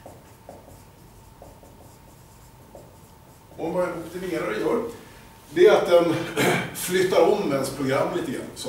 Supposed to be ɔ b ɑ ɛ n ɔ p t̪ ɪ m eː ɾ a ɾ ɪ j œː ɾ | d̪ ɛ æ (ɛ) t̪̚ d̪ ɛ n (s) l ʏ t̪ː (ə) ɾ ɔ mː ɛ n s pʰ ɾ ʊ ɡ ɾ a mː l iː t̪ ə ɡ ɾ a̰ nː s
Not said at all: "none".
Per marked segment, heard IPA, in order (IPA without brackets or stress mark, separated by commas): a, f, a